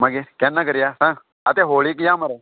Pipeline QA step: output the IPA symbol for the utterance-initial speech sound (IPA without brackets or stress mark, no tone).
m